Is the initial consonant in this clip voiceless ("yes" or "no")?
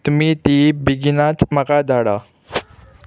yes